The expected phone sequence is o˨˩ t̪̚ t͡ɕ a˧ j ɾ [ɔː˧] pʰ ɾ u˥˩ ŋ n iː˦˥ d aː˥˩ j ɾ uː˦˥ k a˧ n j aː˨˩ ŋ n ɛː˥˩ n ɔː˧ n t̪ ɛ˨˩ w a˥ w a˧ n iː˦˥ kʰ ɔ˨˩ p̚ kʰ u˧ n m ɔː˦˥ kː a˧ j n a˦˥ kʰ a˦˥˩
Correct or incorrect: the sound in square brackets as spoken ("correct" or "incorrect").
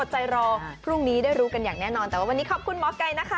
correct